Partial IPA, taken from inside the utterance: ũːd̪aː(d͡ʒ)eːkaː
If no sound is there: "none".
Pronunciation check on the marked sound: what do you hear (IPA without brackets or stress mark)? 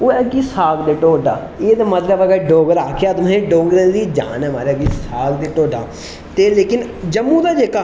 d͡ʒ